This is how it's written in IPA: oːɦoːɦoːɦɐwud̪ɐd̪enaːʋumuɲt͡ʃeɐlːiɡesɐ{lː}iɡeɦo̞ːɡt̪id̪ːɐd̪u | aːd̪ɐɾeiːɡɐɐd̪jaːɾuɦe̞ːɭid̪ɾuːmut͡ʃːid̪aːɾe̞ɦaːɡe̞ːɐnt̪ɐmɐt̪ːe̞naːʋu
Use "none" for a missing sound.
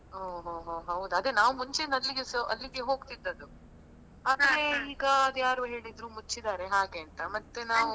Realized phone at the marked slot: lː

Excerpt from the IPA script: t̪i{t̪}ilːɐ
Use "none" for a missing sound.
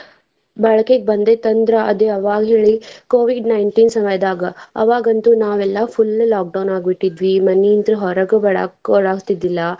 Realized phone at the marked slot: d̪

